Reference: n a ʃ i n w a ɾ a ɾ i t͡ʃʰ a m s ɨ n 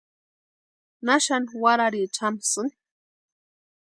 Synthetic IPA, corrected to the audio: n a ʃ a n w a ɾ a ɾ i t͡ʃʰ a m s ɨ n